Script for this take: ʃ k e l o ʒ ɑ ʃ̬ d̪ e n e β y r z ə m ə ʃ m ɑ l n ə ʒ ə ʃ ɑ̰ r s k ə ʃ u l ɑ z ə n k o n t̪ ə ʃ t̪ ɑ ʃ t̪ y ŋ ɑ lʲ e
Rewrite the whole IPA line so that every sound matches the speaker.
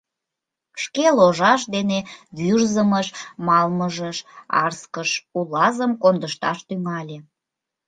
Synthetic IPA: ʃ k e l o ʒ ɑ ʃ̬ d̪ e n e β y r z ə m ə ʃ m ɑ l m ə ʒ ə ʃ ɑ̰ r s k ə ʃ u l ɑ z ə m k o n d̪ ə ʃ t̪ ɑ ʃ t̪ y ŋ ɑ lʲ e